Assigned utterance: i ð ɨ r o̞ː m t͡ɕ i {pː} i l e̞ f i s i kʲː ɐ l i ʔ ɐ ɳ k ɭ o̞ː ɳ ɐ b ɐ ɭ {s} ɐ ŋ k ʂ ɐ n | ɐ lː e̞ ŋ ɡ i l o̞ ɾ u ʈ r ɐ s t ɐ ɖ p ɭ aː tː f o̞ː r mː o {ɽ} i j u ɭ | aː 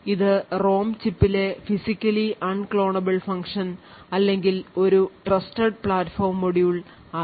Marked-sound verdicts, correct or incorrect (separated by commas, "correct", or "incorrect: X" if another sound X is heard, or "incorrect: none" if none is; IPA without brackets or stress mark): correct, incorrect: f, correct